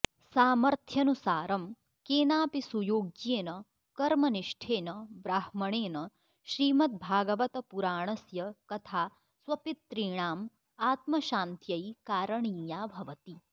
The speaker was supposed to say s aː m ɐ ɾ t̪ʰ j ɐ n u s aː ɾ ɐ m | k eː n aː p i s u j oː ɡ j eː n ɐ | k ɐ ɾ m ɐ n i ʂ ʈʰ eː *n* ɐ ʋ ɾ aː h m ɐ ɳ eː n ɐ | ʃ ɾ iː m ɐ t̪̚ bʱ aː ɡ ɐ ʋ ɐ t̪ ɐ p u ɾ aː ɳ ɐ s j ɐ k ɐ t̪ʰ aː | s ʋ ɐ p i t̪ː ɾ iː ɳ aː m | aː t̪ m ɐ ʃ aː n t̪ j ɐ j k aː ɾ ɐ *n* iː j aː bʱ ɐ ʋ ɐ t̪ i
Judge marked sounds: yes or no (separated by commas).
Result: yes, no